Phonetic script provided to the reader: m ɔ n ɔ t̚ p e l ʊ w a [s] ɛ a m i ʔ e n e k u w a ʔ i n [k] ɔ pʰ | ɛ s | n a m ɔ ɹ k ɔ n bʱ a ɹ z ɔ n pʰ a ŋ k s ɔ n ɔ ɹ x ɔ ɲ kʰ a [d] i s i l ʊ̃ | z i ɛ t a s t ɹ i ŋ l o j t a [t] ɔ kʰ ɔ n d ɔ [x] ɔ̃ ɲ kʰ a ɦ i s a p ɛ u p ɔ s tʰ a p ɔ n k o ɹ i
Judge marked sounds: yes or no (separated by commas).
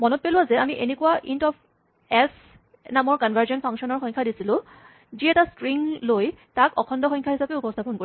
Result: no, no, yes, no, yes